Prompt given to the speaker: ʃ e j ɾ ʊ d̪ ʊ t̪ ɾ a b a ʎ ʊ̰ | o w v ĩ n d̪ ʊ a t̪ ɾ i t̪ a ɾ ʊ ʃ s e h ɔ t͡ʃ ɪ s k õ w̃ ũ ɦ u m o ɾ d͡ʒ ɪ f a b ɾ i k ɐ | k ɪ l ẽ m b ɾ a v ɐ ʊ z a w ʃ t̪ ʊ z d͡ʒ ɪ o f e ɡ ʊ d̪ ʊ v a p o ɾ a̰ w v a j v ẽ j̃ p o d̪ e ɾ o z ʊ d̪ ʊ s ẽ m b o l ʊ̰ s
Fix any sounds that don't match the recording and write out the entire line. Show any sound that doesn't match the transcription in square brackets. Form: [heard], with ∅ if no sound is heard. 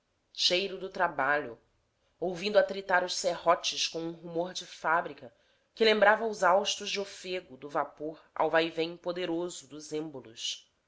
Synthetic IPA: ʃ e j ɾ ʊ d̪ ʊ t̪ ɾ a b a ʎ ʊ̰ | o w v ĩ n d̪ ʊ a t̪ ɾ i t̪ a ɾ ʊ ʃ s e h ɔ t͡ʃ ɪ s k õ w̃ ũ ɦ u m o ɾ d͡ʒ ɪ f a b ɾ i k ɐ | k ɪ l ẽ m b ɾ a v ɐ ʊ z a w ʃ t̪ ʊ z d͡ʒ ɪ o f e ɡ ʊ d̪ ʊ v a p o ɾ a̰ w v a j v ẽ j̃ p o d̪ e ɾ o z ʊ d̪ ʊ [z] ẽ m b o l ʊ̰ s